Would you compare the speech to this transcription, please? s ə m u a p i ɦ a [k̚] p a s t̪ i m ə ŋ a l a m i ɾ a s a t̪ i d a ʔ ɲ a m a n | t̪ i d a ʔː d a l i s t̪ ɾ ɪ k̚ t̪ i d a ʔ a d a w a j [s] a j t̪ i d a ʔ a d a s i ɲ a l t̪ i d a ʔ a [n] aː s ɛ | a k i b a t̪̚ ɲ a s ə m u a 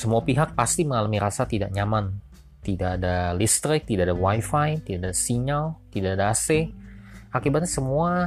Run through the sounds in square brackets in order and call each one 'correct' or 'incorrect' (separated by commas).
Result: correct, incorrect, incorrect